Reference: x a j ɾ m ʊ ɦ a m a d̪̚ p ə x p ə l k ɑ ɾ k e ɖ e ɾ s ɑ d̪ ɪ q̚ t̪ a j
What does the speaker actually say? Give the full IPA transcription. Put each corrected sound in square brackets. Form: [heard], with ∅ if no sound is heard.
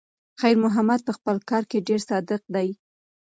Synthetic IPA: x a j ɾ m ʊ ɦ a m a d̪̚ p ə x p ə l k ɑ ɾ k e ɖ e ɾ s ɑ d̪ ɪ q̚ [d̪] a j